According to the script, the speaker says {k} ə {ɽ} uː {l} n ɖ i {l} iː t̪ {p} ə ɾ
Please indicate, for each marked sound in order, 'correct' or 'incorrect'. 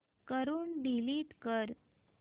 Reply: correct, incorrect, incorrect, correct, incorrect

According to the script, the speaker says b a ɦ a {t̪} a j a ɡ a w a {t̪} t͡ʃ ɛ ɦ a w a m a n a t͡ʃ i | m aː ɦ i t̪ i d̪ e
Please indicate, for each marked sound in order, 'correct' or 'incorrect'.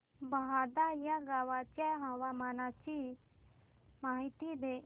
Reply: incorrect, incorrect

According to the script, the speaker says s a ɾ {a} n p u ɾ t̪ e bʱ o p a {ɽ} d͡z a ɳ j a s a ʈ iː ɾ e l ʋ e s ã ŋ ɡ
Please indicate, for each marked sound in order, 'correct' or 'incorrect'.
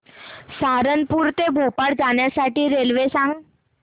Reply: incorrect, correct

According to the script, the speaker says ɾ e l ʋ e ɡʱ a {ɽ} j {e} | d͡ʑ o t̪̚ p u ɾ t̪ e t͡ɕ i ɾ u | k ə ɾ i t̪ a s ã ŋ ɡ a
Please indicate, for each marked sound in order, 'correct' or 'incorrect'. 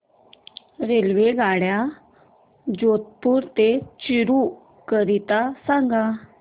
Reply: correct, incorrect

